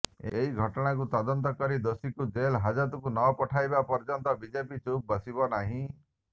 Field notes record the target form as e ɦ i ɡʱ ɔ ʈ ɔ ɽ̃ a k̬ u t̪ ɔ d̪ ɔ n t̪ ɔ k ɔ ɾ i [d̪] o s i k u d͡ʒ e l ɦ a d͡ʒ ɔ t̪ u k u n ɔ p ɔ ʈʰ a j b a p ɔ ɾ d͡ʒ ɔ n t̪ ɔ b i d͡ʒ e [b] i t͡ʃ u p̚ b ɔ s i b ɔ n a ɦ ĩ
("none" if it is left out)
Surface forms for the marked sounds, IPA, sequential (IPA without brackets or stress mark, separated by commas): d̪, p